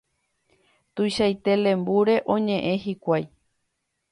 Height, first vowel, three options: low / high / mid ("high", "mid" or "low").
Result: high